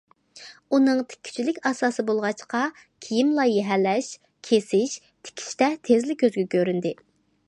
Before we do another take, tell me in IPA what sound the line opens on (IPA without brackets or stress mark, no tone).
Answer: u